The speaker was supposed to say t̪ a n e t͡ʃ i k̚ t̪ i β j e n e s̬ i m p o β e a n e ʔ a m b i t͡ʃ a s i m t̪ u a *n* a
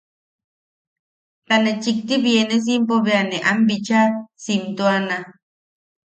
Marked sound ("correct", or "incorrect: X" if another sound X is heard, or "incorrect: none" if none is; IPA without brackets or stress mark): correct